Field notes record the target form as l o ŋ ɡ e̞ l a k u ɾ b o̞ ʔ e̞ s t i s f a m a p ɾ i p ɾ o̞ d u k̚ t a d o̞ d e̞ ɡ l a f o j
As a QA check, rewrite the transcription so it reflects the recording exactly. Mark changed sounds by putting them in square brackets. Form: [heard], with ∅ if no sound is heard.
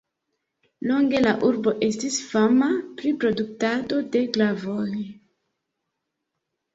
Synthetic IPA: l o ŋ ɡ e̞ l a [ʔ] u ɾ b o̞ ʔ e̞ s t i s f a m a p ɾ i p ɾ o̞ d u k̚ t a d o̞ d e̞ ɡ l a [v] o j